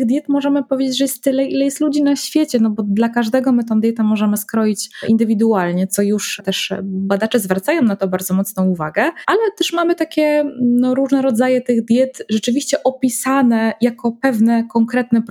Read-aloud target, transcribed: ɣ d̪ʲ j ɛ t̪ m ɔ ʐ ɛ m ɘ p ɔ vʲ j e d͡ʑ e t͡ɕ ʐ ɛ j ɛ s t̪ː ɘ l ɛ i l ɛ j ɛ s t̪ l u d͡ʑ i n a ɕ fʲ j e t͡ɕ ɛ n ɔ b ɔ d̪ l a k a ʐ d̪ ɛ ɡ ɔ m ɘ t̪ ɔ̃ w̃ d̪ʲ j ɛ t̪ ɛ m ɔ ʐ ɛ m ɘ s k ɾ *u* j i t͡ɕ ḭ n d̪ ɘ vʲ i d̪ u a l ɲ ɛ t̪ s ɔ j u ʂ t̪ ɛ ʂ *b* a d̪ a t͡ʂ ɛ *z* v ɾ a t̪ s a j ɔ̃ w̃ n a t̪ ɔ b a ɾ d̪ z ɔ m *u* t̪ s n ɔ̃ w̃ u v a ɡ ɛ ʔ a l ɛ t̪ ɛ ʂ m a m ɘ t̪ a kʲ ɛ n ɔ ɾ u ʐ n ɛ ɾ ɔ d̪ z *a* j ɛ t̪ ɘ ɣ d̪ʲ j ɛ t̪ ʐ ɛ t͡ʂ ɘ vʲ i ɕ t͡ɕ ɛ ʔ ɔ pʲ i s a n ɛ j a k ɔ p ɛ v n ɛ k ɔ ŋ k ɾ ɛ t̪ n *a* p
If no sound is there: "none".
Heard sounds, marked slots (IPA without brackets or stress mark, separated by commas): ɔ, b, z, ɔ, a, ɛ